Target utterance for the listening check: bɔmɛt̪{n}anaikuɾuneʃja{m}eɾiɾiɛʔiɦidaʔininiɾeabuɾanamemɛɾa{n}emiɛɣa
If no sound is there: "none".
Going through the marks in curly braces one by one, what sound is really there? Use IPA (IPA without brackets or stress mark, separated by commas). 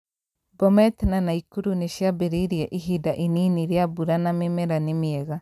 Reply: n, b, n